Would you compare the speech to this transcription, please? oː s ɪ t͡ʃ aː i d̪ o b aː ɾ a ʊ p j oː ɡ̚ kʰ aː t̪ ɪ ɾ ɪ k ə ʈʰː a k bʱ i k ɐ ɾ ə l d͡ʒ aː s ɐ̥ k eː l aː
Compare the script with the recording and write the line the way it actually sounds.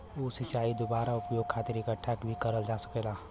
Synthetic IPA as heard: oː s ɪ t͡ʃ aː i d̪ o b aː ɾ a ʊ p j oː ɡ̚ kʰ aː t̪ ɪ ɾ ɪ k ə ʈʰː a k bʱ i k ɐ ɾ ə l d͡ʒ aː s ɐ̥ k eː l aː